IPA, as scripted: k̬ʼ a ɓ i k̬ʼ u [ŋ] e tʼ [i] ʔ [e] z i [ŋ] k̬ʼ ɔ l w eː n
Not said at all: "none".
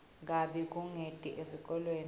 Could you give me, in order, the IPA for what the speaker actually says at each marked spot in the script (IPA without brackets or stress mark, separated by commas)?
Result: ŋ, i, e, none